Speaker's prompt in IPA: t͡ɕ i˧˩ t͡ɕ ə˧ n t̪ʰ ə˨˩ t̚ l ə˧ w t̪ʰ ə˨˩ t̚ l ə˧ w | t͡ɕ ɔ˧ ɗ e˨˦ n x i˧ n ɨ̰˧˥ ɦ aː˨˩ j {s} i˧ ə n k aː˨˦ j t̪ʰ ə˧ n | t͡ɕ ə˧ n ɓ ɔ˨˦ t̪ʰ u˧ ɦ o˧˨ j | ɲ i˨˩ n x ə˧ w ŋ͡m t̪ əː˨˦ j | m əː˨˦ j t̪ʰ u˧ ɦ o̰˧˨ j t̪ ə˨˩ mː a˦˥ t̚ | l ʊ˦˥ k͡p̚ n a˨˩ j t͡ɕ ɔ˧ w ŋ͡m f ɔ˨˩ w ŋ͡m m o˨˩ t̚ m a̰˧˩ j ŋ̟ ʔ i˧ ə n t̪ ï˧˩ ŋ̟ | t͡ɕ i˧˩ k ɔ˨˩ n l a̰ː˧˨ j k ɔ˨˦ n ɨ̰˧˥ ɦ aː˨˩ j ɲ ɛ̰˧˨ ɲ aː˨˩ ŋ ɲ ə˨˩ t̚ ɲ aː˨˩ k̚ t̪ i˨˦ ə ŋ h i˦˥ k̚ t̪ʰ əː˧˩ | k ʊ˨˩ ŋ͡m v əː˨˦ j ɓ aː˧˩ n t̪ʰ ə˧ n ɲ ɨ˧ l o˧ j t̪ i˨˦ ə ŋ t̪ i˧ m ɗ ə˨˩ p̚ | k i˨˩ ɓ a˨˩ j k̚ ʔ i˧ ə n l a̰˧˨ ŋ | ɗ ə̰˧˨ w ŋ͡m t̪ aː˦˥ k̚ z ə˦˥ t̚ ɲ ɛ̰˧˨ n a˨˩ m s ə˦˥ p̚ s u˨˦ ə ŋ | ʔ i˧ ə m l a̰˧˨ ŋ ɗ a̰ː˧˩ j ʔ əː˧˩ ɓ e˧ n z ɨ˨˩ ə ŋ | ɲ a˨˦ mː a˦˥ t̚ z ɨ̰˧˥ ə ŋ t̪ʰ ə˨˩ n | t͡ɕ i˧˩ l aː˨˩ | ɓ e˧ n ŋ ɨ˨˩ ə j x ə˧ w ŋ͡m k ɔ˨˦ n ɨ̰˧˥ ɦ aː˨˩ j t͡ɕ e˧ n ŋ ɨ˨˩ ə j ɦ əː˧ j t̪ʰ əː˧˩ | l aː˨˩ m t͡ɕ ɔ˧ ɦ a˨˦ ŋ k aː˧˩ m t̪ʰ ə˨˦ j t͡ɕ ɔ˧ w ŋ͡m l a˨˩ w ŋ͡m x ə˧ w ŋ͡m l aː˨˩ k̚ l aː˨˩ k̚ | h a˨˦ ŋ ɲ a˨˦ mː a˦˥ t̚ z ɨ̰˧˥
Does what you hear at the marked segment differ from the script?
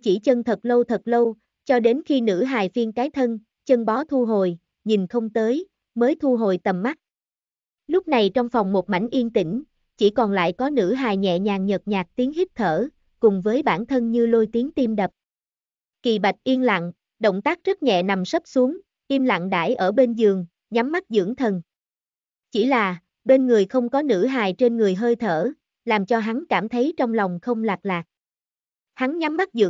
yes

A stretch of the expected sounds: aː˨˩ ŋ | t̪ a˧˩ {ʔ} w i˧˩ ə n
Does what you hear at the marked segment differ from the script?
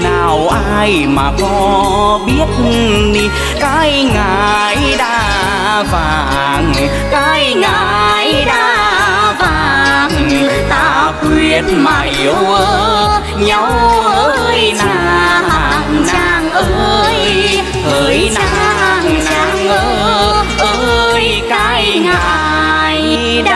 yes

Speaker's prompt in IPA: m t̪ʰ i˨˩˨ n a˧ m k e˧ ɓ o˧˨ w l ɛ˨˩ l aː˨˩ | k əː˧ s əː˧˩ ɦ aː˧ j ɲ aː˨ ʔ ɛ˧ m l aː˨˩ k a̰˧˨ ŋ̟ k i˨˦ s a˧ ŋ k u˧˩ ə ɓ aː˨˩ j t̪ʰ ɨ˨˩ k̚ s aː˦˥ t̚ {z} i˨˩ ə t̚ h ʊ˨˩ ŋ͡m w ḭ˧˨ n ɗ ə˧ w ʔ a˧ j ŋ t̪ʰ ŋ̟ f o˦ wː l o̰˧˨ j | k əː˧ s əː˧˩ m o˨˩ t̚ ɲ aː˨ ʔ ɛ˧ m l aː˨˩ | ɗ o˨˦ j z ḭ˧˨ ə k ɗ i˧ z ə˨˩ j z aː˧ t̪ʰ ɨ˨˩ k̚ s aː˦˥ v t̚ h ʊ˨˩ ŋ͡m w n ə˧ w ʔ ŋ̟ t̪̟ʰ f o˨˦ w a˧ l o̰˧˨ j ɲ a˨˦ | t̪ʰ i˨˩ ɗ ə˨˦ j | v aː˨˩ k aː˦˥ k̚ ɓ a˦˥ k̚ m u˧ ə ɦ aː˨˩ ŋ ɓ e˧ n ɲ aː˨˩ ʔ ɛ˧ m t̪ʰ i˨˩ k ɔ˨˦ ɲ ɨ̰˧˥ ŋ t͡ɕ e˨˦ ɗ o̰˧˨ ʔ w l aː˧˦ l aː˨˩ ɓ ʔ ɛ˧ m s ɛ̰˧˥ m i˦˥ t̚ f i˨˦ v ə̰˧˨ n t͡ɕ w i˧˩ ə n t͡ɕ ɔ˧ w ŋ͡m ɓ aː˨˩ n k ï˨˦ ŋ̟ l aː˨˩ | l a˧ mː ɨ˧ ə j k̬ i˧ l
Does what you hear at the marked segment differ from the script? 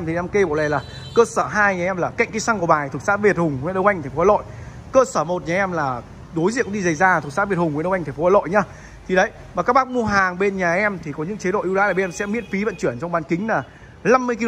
yes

